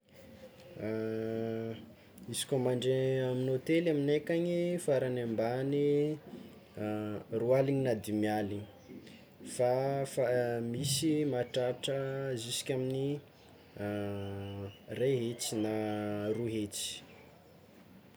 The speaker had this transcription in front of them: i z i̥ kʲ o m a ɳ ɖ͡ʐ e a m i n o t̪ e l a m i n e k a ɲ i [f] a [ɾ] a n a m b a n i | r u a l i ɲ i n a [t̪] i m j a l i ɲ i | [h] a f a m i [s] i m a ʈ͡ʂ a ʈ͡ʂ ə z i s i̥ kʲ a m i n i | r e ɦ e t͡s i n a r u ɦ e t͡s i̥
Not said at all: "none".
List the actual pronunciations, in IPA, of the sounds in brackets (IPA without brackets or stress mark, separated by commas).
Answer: f, ɾ, d̪, f, s